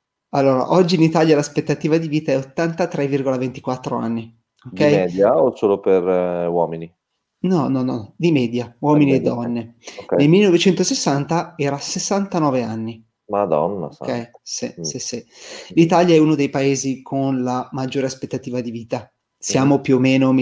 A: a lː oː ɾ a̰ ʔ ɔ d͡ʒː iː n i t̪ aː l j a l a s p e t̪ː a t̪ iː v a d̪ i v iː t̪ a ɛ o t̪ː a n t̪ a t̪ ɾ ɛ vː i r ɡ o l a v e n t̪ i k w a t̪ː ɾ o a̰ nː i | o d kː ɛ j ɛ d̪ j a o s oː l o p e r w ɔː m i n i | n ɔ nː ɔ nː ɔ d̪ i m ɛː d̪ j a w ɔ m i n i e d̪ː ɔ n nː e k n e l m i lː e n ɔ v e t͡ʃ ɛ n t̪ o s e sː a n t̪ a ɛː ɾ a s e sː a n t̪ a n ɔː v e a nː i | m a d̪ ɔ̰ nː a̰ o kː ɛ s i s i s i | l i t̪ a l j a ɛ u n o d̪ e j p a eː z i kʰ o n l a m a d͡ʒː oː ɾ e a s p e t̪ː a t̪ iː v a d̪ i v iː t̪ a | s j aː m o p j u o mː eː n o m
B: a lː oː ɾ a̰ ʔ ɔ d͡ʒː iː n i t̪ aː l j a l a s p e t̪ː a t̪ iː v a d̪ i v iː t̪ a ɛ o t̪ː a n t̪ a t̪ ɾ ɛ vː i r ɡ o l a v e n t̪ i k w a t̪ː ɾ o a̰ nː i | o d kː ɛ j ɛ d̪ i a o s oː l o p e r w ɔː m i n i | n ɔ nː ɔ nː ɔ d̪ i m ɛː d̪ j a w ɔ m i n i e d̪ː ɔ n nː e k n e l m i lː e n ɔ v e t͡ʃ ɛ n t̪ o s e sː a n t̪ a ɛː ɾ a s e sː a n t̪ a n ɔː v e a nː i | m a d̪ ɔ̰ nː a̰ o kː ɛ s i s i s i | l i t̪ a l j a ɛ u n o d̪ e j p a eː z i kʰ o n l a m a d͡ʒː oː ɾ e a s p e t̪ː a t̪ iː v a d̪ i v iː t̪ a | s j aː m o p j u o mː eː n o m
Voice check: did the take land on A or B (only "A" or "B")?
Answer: A